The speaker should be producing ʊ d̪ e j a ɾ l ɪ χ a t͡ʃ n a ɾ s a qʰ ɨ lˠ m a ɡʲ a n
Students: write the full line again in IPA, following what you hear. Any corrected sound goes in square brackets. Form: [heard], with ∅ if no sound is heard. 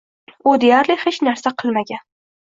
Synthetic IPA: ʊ d̪ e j a ɾ l ɪ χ [e] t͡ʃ n a ɾ s a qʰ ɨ lˠ m a ɡʲ a n